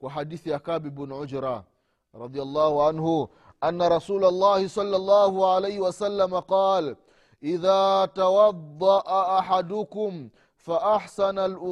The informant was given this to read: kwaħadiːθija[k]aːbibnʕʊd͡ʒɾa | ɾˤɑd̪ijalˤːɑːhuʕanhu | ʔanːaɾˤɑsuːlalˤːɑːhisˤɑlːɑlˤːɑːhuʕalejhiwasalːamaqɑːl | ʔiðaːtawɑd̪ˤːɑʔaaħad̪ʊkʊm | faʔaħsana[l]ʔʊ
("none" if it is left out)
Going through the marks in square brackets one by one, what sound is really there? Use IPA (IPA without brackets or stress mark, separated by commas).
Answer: k, l